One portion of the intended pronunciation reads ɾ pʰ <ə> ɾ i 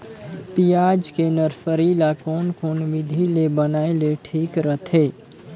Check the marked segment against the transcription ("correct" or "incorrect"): correct